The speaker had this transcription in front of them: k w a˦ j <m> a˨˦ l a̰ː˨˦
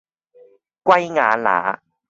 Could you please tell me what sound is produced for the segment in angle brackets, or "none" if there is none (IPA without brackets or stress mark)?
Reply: ŋ